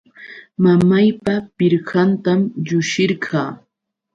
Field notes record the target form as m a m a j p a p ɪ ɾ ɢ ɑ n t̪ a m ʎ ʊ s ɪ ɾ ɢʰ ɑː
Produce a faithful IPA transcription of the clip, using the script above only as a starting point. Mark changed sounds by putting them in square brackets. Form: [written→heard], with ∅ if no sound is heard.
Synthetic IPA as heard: m a m a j p a p ɪ ɾ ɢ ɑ n t̪ a m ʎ ʊ [s→ʃ] ɪ ɾ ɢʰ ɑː